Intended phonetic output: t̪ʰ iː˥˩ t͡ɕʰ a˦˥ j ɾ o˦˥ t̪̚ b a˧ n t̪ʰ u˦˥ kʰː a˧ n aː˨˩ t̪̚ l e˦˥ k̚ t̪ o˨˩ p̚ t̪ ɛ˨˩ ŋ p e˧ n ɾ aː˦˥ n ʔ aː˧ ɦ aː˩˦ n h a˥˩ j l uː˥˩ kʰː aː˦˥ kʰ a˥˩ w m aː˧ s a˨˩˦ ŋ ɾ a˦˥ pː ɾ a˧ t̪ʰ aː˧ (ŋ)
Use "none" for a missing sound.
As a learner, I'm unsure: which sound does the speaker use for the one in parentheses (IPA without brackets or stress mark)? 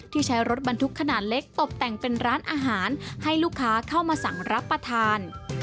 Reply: n